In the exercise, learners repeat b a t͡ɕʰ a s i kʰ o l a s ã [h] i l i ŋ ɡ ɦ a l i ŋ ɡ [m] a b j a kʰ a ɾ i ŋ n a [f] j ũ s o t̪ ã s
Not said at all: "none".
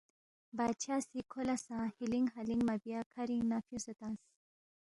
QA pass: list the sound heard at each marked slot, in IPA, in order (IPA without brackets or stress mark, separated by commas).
h, m, f